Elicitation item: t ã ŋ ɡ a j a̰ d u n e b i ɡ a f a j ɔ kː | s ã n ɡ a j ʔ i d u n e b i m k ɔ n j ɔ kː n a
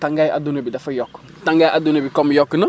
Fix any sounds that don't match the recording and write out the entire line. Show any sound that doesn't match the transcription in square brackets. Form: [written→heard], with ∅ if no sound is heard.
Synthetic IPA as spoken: t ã ŋ ɡ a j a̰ d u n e b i [ɡ→d] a f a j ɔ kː | [s→t] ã [n→ŋ] ɡ a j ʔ [i→a] d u n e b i [m→∅] k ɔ [n→m] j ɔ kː n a